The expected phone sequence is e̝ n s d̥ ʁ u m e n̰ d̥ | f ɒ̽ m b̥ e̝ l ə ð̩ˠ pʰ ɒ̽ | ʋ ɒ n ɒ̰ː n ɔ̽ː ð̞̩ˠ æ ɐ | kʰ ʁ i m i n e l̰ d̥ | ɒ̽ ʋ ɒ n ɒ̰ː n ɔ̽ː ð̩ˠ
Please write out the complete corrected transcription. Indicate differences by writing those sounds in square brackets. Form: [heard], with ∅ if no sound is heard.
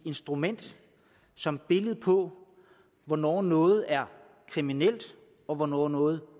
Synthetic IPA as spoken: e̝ n s d̥ ʁ u m e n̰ d̥ | [s] ɒ̽ m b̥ e̝ l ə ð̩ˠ pʰ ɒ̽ | ʋ ɒ n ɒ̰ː n ɔ̽ː ð̞̩ˠ æ ɐ | kʰ ʁ i m i n e l̰ d̥ | ɒ̽ ʋ ɒ n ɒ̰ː n ɔ̽ː ð̩ˠ